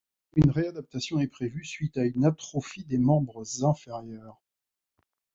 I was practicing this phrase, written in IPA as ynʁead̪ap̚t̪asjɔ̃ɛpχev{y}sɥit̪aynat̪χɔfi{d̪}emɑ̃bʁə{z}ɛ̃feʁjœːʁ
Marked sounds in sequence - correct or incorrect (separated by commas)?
correct, correct, correct